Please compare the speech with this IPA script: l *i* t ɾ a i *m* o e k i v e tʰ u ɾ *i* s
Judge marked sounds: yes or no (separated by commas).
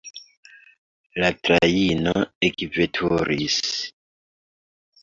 no, no, yes